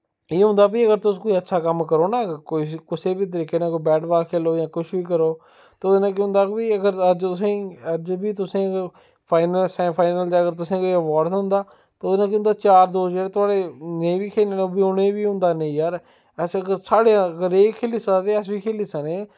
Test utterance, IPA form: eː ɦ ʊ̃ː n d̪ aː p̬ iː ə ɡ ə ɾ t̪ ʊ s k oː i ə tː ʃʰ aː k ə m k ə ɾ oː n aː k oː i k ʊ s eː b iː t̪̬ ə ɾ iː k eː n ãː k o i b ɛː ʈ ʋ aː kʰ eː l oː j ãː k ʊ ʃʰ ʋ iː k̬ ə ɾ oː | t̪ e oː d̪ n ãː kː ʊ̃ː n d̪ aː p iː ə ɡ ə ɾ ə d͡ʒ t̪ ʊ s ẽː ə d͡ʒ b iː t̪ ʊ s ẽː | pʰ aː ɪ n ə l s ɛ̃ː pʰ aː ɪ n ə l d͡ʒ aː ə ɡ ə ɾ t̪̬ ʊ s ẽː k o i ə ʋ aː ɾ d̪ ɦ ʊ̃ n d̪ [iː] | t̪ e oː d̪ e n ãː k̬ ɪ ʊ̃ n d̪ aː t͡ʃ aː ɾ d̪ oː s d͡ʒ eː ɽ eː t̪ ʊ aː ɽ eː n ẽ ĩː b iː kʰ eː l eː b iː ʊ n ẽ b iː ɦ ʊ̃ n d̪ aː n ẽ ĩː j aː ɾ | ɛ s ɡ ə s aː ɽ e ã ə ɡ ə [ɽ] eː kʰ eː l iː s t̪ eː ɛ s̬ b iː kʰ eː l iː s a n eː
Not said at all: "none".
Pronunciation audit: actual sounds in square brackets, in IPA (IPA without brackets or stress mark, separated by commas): aː, ɾ